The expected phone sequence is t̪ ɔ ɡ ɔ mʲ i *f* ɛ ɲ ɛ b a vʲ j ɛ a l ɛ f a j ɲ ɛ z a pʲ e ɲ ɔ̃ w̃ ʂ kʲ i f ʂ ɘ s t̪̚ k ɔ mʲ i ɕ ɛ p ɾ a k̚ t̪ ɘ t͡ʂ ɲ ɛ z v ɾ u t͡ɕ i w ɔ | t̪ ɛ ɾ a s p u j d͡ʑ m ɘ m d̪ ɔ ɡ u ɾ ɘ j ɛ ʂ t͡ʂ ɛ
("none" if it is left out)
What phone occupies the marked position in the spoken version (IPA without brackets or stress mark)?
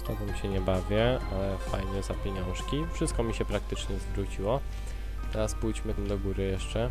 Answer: ɕ